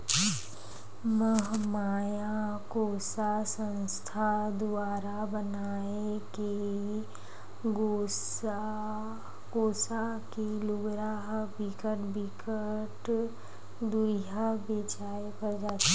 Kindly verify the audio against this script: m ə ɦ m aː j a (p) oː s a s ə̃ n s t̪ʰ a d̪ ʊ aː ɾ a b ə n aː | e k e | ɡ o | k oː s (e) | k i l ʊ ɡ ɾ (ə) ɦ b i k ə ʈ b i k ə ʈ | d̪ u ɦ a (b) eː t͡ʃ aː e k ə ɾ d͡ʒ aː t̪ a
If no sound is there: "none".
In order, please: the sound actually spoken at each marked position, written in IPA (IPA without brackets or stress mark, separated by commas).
k, a, a, b